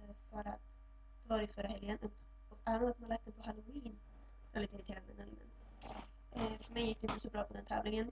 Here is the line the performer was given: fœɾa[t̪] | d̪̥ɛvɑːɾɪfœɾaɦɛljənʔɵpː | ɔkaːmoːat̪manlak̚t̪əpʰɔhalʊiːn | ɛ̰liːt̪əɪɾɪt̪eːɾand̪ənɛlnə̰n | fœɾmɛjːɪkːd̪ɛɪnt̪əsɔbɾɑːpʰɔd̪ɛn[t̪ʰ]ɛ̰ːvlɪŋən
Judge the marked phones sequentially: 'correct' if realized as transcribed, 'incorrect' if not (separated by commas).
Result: correct, correct